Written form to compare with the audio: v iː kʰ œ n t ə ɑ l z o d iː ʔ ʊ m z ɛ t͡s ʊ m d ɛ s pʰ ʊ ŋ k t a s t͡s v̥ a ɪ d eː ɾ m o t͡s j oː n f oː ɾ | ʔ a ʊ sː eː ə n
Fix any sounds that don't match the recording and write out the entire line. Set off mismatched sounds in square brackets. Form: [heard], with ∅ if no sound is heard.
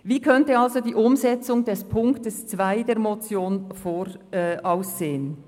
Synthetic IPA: v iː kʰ œ n t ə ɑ l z o d iː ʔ ʊ m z ɛ t͡s ʊ [ŋ] d ɛ s pʰ ʊ ŋ k t [ə] s t͡s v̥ a ɪ d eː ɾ m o t͡s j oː n f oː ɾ | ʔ a ʊ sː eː ə n